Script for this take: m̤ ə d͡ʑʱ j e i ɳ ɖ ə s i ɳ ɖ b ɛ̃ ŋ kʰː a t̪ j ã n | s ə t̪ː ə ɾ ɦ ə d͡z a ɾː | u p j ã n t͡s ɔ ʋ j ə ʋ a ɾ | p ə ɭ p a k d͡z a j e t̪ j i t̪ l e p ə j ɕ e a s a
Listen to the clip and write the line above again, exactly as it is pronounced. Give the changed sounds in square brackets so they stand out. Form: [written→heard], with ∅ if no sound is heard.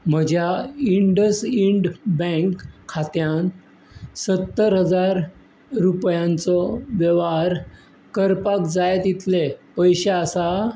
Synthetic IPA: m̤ ə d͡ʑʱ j [e→a] i ɳ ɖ ə s i ɳ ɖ b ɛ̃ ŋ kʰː a t̪ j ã n | s ə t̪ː ə ɾ ɦ ə d͡z a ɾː | u p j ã n t͡s ɔ ʋ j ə ʋ a ɾ | [p→k] ə [ɭ→ɾ] p a k d͡z a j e t̪ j i t̪ l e p ə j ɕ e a s a